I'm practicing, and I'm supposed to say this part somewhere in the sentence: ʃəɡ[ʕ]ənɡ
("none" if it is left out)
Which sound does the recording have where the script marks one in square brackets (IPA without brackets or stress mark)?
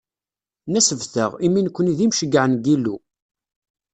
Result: ʕ